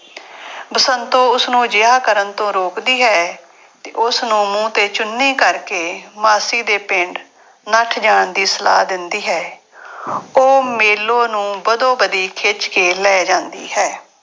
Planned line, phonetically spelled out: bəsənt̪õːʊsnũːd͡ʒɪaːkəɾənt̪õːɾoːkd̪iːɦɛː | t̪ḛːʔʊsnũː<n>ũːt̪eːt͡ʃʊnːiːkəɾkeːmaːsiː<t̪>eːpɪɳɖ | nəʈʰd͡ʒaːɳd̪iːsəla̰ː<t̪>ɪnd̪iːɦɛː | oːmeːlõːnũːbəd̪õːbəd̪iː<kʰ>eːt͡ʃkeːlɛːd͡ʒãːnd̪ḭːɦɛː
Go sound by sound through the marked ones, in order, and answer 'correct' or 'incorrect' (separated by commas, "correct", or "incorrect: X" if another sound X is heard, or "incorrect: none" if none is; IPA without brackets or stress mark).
incorrect: m, incorrect: d̪, incorrect: d̪, correct